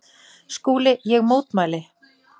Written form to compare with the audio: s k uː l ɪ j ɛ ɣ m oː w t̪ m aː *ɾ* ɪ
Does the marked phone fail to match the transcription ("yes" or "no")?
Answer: yes